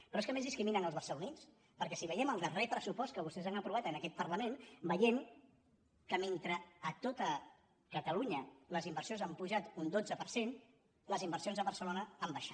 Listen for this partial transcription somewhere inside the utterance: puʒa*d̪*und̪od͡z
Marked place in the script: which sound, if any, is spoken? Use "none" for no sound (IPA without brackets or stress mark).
t̪